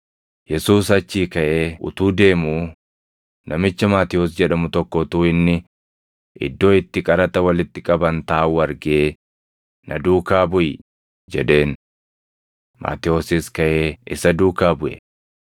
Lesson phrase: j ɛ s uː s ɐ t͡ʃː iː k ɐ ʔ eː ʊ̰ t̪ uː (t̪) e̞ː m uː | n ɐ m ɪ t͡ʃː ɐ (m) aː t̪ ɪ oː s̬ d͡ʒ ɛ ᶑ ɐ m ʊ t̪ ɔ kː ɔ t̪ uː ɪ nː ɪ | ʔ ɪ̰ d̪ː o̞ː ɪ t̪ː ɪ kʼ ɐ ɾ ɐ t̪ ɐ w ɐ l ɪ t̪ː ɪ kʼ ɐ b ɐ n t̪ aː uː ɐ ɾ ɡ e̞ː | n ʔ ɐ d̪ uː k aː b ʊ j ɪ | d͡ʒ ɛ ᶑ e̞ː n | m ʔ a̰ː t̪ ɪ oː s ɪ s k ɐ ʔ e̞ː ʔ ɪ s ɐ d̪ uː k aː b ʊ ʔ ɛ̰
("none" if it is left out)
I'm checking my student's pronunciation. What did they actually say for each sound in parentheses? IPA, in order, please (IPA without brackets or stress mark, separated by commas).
d̪, m